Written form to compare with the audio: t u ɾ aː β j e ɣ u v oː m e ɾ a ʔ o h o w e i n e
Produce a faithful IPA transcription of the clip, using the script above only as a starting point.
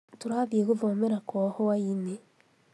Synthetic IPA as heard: t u ɾ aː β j e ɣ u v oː m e ɾ a k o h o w a i n e